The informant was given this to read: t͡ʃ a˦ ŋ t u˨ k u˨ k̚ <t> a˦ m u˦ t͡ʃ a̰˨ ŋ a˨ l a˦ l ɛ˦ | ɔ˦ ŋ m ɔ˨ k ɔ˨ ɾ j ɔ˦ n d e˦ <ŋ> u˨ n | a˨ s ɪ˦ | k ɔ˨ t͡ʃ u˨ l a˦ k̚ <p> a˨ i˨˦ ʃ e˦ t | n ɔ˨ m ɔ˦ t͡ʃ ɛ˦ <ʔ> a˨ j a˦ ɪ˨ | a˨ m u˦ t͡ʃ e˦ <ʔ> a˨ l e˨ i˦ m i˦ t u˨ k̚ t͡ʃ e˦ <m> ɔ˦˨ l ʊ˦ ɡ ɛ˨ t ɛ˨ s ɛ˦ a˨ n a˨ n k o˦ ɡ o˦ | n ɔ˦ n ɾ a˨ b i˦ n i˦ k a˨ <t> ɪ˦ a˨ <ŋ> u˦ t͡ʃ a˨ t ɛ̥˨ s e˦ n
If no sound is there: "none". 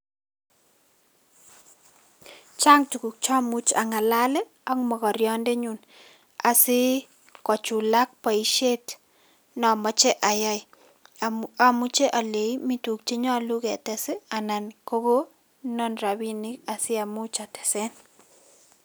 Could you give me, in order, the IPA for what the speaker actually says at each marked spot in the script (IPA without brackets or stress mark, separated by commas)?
t͡ʃ, ɲ, p, ʔ, ʔ, ɲ, s, m